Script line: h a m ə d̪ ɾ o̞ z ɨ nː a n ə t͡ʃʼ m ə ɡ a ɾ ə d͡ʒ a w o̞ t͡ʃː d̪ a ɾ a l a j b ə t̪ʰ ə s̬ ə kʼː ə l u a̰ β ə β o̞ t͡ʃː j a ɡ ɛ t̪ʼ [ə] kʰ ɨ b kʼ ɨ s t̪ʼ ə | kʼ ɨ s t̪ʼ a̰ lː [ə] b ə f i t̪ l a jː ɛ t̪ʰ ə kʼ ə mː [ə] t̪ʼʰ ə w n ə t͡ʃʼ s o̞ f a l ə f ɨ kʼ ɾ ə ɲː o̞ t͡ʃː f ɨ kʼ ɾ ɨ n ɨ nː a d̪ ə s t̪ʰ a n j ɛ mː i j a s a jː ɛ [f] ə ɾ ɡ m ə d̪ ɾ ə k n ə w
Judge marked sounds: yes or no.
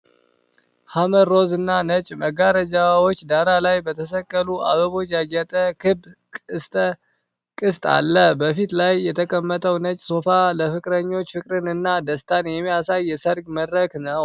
yes, yes, yes, no

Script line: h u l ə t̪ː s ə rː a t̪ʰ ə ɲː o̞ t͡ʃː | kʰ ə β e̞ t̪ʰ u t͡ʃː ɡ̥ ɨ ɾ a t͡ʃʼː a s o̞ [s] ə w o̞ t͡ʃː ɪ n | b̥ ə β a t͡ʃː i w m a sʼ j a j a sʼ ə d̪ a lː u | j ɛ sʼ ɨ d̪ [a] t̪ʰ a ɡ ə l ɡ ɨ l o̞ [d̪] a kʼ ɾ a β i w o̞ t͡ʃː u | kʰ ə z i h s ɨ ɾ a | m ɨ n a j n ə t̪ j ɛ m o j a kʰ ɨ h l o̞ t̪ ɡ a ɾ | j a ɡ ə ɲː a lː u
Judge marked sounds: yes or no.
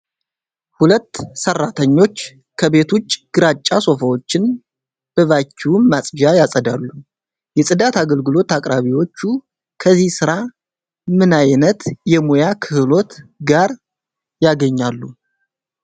no, yes, no

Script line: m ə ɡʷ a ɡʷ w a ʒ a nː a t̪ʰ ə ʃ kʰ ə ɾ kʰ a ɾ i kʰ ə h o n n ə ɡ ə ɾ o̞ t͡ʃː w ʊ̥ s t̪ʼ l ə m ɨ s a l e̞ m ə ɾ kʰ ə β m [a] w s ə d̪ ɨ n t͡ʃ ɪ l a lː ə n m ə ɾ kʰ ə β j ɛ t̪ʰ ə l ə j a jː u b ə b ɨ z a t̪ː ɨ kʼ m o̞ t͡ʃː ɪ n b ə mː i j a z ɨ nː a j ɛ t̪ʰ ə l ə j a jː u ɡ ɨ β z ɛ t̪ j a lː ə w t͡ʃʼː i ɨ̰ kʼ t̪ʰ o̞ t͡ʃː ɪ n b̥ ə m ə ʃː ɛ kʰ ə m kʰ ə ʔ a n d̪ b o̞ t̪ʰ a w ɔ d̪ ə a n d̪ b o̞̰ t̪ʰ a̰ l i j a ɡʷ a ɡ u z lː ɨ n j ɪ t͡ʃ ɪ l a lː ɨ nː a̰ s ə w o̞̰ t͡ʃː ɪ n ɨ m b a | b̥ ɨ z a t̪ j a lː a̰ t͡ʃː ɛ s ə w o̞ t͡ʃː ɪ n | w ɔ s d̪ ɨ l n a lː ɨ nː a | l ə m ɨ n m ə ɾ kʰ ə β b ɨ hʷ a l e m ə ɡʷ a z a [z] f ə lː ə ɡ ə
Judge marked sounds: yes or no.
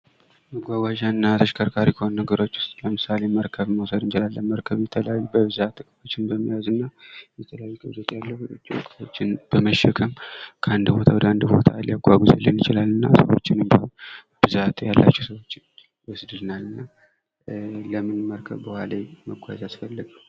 no, no

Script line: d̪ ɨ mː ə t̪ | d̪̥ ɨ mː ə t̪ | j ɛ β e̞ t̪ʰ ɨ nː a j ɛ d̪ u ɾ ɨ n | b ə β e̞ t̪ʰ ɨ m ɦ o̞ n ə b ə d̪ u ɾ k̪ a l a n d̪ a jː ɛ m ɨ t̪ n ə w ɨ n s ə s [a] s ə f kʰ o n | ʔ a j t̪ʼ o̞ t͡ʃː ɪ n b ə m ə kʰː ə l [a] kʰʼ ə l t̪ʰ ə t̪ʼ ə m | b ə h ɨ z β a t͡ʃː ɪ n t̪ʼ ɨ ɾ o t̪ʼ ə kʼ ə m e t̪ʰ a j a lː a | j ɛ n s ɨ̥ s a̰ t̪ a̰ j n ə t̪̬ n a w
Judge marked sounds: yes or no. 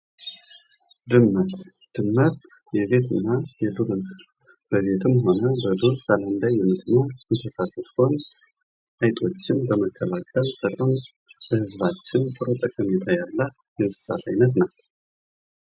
yes, yes

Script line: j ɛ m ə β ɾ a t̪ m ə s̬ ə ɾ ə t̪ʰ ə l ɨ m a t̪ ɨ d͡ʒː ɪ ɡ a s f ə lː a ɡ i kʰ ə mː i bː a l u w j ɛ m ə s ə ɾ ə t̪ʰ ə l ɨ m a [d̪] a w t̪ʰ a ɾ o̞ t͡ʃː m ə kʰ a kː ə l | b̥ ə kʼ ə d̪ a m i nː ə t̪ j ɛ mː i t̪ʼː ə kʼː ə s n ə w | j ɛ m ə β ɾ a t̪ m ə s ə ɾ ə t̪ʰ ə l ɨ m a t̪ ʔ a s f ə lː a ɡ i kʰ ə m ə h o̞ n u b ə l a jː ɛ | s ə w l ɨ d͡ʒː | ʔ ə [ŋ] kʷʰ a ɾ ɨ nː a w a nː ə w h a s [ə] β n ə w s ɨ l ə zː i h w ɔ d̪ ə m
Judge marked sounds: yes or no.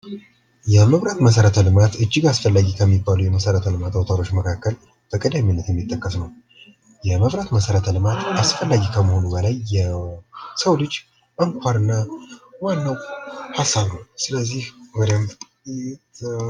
no, yes, no

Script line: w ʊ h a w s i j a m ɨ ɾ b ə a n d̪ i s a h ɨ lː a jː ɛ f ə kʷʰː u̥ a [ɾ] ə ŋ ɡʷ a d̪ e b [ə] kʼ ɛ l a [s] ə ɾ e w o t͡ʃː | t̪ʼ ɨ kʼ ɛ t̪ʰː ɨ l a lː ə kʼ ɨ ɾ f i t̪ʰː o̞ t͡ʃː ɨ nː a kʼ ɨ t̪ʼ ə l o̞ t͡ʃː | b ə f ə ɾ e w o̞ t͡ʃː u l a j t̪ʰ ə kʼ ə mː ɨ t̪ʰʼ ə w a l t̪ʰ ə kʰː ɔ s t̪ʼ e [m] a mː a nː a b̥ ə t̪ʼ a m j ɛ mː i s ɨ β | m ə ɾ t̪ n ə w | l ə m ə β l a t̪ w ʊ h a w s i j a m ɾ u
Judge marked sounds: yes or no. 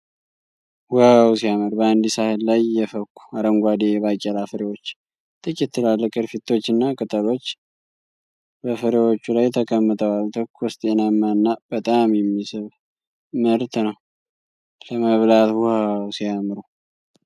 yes, no, no, no

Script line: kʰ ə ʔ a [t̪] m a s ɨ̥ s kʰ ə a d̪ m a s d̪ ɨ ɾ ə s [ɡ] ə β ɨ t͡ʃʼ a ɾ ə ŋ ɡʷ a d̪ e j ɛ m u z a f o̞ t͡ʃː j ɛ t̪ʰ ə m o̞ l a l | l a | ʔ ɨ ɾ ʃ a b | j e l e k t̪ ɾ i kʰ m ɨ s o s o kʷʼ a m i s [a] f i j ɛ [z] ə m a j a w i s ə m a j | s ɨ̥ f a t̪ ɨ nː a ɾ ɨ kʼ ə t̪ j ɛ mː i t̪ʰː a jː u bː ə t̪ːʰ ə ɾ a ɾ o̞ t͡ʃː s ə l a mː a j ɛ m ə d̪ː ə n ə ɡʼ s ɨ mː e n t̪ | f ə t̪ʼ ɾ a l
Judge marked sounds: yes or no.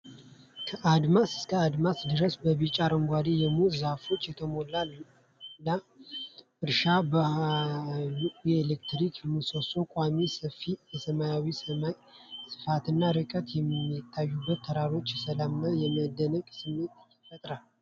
no, no, no, no

